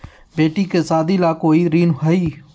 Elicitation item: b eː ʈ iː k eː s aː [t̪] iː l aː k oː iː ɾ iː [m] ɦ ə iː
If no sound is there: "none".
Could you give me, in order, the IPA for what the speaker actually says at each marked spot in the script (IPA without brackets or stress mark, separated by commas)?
d̪, n